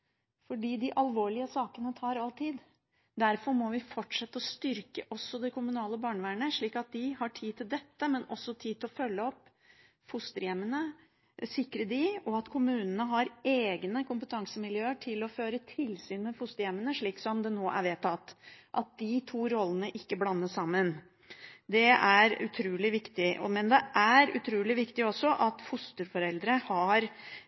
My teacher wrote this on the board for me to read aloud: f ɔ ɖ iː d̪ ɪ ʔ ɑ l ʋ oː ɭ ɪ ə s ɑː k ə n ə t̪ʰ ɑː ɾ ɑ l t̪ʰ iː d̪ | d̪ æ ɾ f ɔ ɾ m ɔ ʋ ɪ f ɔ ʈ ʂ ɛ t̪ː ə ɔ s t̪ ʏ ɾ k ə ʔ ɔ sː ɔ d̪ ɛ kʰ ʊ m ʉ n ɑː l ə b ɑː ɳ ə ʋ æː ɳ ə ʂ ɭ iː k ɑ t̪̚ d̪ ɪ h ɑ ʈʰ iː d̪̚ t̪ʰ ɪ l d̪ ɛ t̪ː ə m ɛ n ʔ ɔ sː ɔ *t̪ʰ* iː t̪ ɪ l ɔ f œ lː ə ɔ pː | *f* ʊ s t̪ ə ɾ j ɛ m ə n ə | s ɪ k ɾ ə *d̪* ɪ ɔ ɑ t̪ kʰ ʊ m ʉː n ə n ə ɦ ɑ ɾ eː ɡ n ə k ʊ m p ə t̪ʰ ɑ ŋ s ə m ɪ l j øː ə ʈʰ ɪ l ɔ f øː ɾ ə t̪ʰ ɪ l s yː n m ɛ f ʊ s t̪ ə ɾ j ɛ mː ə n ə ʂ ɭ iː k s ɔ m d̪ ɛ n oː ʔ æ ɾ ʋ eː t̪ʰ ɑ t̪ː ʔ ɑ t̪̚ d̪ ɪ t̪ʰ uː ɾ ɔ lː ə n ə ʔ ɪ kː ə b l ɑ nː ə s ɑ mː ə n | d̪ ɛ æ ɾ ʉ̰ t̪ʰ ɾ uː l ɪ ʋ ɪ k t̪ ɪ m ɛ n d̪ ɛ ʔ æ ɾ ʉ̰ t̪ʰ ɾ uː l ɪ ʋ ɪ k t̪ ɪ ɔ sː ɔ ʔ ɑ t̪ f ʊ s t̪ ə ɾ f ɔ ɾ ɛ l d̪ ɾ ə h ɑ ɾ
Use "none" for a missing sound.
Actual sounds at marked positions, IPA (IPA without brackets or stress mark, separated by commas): t̪ʰ, f, d̪